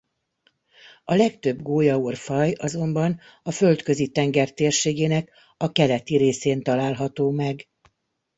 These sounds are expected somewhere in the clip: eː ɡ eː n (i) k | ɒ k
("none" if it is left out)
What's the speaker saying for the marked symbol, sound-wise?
ɛ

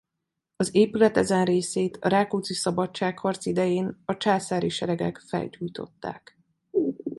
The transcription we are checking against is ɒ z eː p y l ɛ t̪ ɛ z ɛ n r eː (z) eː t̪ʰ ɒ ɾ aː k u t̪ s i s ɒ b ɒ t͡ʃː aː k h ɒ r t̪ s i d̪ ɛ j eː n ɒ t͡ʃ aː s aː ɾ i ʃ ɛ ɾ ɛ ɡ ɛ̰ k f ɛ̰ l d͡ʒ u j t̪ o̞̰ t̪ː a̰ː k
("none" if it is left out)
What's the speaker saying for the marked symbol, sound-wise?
s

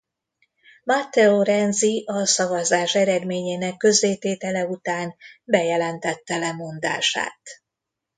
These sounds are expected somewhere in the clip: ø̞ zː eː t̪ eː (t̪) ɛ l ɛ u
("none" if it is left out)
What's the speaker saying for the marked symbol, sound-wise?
t̪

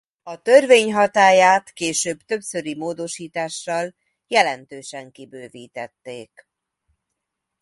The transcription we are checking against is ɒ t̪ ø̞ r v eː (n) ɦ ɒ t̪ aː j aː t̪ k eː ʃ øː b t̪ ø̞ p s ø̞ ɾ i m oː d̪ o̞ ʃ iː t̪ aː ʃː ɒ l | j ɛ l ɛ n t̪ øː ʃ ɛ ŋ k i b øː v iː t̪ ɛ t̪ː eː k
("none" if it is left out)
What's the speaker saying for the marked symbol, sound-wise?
ɲ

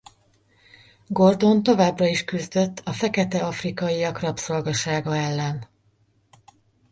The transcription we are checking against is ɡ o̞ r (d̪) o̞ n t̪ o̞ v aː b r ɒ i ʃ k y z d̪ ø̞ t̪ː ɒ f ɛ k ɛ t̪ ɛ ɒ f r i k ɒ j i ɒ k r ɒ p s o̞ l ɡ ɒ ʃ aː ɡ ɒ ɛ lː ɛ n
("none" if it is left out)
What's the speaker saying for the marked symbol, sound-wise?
d̪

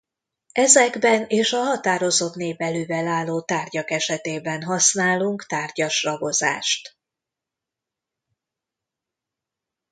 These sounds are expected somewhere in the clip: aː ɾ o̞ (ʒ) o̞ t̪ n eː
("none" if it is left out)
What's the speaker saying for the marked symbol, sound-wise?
z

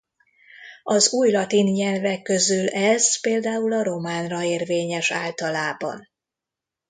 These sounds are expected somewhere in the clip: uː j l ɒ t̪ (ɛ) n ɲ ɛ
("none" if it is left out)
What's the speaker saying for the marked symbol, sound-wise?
i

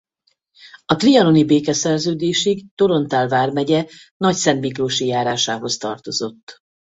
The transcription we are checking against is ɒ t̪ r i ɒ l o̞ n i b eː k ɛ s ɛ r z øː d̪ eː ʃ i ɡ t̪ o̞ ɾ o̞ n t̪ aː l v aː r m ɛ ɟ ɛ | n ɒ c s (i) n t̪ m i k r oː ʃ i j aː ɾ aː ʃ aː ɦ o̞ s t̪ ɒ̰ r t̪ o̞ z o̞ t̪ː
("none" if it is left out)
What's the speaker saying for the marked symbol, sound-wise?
ɛ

